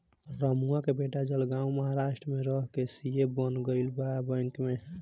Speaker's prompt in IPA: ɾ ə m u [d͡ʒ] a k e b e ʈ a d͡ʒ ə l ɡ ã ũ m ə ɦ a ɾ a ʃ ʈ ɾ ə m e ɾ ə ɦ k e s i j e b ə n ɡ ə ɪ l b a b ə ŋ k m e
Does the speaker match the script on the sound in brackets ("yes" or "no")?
no